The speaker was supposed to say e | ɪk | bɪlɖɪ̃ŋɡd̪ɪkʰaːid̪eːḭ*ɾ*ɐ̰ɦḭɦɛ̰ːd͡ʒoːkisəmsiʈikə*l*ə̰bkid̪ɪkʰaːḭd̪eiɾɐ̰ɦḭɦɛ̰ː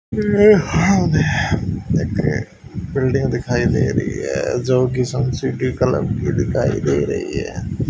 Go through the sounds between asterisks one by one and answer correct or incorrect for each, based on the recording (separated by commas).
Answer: correct, correct